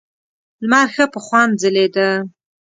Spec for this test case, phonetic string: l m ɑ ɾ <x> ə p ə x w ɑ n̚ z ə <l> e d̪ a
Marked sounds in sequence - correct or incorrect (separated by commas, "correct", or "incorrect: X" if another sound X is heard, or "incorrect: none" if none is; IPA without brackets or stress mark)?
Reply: correct, correct